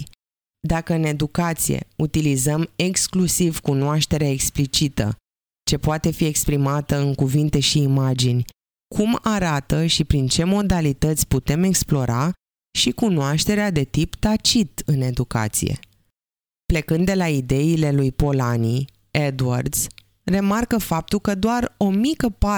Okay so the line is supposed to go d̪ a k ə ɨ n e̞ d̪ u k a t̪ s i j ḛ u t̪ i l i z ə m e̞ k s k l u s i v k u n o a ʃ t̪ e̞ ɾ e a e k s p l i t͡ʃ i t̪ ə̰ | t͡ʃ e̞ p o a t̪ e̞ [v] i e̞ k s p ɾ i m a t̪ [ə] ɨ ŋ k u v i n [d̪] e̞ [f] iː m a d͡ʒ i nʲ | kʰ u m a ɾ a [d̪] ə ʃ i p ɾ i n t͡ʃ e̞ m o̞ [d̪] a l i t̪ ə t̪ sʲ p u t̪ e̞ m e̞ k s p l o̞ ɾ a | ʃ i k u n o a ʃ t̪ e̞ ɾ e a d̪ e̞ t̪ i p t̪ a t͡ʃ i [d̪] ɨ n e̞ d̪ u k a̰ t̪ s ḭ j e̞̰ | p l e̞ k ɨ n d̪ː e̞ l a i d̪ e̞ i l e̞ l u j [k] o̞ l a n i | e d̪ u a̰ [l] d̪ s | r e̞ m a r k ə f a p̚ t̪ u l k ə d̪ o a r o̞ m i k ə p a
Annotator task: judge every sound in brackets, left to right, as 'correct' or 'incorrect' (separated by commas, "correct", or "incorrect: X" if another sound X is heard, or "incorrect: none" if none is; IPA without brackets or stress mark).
incorrect: f, correct, incorrect: t̪, incorrect: ʃ, incorrect: t̪, correct, incorrect: t̪, incorrect: p, incorrect: r